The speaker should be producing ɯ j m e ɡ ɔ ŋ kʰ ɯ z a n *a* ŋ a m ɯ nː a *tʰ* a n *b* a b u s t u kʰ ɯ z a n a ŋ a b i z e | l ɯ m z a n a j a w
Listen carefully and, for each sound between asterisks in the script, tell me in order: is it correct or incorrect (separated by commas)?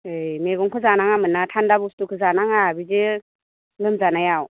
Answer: correct, correct, incorrect